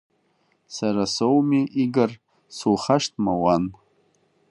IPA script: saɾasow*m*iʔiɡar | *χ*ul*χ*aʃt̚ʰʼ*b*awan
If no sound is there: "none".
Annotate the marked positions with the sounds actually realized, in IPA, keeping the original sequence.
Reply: m, s, χ, m

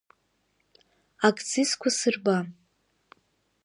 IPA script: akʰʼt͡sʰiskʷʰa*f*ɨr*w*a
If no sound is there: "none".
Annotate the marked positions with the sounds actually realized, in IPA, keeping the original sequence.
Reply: s, b

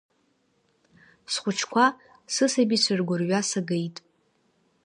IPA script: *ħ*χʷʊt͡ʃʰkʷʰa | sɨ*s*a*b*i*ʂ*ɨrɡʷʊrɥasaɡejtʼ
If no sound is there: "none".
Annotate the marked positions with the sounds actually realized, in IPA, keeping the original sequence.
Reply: s, s, b, s

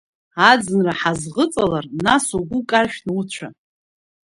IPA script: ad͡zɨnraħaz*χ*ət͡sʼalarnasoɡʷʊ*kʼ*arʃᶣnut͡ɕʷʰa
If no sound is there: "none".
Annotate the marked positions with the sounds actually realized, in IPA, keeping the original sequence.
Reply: ʁ, kʼ

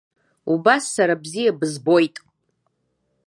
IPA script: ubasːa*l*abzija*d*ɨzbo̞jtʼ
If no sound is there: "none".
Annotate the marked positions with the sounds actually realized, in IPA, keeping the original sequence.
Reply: ɾ, b

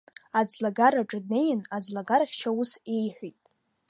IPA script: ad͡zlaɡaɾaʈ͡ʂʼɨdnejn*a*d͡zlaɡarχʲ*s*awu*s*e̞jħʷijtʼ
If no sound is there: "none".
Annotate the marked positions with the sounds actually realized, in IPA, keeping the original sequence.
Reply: a, ʃ, s

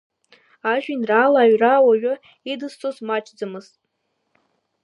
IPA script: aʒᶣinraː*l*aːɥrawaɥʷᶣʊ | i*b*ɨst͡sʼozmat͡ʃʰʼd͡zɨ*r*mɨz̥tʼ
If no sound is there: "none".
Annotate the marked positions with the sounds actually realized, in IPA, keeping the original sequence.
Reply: l, d, none

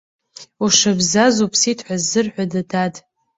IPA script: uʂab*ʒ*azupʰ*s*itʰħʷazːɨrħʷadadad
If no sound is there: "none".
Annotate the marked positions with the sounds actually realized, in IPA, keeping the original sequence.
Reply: z, s

